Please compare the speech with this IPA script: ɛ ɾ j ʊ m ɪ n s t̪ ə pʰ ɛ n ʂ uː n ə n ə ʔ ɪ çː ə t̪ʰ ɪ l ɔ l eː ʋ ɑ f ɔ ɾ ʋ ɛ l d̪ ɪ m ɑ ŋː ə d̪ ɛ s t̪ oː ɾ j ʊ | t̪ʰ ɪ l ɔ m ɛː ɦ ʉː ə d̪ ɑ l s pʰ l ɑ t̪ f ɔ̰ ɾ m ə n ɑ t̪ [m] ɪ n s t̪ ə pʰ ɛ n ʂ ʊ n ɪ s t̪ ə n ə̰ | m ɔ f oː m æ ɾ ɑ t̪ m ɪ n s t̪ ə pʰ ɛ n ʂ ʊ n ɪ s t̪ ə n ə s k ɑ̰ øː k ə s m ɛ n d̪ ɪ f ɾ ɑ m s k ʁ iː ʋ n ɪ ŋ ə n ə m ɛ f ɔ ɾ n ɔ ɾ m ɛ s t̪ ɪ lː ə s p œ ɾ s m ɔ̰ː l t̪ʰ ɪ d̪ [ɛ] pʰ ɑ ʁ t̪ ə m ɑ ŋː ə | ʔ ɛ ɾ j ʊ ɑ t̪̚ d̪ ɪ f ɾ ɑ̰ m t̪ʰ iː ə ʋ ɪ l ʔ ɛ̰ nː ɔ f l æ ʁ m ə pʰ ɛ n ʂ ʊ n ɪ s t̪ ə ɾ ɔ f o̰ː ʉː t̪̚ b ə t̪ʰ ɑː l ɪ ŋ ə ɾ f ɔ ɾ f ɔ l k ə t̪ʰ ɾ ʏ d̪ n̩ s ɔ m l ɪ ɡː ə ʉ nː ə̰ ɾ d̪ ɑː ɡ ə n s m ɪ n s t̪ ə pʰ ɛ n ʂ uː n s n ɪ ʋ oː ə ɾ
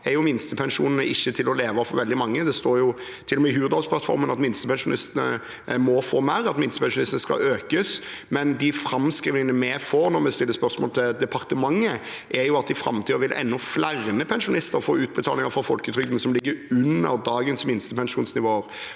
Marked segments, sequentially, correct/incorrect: correct, correct

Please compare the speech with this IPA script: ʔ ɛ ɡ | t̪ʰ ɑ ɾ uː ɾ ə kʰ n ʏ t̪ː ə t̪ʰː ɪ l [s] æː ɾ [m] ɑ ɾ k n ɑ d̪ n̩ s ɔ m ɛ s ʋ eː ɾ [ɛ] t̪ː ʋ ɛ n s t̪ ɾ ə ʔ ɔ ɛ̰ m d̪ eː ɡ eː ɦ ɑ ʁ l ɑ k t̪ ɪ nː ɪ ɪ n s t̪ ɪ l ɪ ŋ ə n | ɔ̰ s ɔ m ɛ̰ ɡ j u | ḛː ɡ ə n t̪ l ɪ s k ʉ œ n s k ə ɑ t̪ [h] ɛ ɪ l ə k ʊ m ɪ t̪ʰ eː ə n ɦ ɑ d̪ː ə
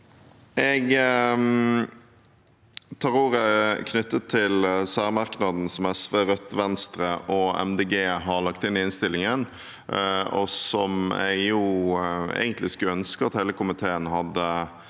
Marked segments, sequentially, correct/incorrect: correct, correct, incorrect: œ, correct

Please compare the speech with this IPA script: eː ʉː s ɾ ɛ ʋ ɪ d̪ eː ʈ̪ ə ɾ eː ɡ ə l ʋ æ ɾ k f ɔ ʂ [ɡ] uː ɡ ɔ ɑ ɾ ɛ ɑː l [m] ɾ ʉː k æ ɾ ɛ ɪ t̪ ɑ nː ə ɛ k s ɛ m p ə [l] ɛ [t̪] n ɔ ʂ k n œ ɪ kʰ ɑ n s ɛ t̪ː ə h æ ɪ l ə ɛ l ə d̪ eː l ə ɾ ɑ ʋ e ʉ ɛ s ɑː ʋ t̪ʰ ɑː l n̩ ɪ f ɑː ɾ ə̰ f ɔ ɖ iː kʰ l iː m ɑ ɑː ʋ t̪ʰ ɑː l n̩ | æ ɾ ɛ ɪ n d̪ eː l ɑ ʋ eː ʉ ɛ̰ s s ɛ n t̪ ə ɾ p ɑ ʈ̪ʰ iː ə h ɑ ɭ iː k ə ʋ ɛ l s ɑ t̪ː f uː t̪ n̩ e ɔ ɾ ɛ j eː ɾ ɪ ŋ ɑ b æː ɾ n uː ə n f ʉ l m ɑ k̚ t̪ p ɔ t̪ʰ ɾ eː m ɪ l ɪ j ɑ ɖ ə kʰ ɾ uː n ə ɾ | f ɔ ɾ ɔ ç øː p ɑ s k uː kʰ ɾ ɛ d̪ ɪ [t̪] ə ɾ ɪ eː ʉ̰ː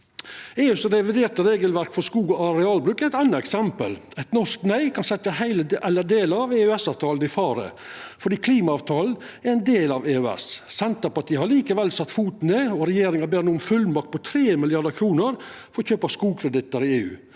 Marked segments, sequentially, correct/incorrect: incorrect: k, incorrect: b, correct, correct, correct

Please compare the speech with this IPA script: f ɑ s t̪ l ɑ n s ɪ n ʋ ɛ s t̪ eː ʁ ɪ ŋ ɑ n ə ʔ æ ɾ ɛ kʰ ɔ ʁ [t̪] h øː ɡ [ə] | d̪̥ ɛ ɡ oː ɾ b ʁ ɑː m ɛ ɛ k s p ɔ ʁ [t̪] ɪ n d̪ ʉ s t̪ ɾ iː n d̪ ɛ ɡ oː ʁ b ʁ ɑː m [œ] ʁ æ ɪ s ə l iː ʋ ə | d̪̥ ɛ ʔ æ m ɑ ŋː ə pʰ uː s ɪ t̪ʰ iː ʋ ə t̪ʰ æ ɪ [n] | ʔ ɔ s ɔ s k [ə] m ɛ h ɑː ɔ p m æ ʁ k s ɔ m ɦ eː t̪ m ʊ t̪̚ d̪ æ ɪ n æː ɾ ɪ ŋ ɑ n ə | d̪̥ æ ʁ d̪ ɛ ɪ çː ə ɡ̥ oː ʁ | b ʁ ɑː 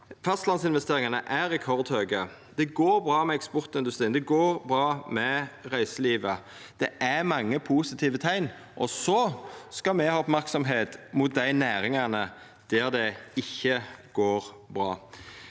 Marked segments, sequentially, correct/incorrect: incorrect: d̪, correct, correct, incorrect: ɛ, correct, incorrect: ɑ

